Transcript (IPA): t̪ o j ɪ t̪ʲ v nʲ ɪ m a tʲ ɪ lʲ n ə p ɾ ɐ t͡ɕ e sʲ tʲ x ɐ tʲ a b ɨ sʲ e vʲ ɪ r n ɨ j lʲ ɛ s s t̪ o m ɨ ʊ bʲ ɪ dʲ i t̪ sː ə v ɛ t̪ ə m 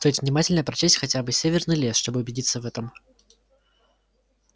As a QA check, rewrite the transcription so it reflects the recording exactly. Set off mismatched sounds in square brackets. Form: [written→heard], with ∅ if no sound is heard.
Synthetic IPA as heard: t̪ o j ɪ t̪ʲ v nʲ ɪ m a tʲ ɪ lʲ n ə p ɾ ɐ t͡ɕ e sʲ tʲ x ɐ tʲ a b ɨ sʲ e vʲ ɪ r n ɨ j lʲ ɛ s [s→ʂ] t̪ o [m→b] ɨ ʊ bʲ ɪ dʲ i t̪ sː ə v ɛ t̪ ə m